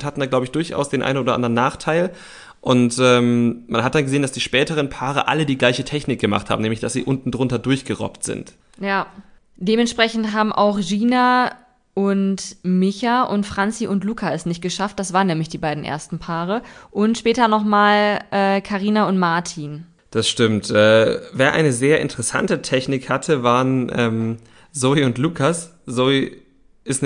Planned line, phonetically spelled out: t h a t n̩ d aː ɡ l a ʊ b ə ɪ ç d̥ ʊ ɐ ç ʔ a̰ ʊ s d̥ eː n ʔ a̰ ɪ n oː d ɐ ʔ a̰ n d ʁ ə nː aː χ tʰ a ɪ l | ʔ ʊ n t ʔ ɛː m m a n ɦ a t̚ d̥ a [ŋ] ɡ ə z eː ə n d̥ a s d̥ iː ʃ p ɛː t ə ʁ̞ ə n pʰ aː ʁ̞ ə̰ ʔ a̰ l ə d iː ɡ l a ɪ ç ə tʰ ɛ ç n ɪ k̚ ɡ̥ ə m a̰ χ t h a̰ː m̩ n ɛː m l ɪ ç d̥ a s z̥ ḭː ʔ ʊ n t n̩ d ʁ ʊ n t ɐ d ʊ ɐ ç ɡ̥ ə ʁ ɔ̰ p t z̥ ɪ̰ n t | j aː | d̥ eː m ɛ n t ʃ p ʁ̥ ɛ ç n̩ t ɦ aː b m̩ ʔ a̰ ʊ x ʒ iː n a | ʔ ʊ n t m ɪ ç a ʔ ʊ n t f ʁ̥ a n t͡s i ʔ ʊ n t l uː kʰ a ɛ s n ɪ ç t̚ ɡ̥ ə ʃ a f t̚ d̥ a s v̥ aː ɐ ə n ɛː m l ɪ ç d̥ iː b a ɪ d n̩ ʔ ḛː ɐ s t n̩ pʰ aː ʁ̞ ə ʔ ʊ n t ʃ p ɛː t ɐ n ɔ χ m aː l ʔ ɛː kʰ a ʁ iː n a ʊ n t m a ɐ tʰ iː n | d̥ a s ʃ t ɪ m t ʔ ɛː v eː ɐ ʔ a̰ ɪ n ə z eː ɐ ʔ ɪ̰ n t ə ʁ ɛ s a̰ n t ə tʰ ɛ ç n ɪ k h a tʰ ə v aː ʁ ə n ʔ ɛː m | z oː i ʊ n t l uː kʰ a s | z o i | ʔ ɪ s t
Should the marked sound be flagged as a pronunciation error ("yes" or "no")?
yes